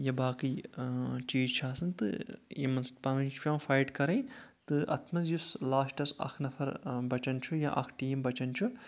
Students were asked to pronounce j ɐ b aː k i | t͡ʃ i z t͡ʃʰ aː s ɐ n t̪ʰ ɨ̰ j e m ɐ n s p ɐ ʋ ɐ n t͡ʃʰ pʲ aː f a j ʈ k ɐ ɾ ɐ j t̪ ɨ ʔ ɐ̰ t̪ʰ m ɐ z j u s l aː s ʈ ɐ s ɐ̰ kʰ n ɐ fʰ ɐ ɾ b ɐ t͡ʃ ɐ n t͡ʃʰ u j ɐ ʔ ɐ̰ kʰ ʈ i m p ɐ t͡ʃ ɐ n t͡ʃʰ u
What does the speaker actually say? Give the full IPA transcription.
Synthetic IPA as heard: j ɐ b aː k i | t͡ʃ iː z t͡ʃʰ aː s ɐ n t̪ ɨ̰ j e m ɐ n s p ɐ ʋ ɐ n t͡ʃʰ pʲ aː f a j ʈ k ɐ ɾ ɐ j t̪ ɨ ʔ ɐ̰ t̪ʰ m ɐ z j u s l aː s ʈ ɐ s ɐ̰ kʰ n ɐ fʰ ɐ ɾ b ɐ t͡ʃ ɐ n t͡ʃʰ u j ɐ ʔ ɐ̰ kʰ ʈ iː m b ɐ t͡ʃ ɐ n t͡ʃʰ u